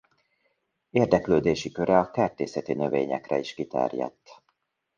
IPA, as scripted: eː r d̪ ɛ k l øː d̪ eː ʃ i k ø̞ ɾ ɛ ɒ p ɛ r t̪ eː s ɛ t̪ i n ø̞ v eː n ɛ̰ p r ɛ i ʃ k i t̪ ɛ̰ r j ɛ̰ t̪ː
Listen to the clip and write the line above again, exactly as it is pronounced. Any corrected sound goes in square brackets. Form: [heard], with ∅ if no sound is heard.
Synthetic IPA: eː r d̪ ɛ k l øː d̪ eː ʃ i k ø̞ ɾ ɛ ɒ [k] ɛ r t̪ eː s ɛ t̪ i n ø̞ v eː [ɲ] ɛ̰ [k] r ɛ i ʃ k i t̪ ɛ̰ r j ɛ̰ t̪ː